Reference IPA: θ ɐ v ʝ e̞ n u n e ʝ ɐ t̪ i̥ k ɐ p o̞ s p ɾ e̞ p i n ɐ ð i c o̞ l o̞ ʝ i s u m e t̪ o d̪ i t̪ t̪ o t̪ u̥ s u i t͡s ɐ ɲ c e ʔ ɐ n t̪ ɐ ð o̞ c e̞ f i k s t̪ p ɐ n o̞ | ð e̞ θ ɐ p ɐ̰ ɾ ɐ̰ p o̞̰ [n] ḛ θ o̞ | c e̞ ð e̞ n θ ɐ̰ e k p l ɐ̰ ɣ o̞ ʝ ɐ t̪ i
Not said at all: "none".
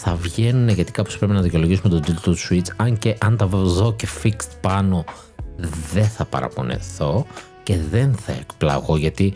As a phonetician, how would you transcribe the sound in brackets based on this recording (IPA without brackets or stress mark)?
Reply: n